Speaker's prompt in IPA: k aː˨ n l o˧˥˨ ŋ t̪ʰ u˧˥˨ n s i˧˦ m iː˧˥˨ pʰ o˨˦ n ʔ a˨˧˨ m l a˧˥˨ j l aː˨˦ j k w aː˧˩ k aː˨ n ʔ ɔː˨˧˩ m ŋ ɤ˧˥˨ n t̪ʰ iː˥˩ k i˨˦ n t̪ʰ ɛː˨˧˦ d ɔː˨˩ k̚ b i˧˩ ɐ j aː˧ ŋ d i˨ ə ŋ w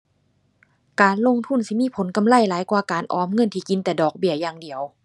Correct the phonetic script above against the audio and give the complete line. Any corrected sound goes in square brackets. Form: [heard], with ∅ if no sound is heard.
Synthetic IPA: k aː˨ n l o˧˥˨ ŋ t̪ʰ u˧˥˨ n s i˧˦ m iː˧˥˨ pʰ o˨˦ n [k] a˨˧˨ m l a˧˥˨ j l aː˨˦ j k w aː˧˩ k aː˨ n ʔ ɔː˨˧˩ m ŋ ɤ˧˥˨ n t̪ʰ [iː˧˩] k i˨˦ n [t̪] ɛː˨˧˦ d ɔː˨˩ k̚ b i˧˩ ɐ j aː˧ ŋ d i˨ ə [∅] w